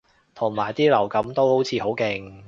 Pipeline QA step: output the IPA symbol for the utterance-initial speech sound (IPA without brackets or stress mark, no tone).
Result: t̪ʰ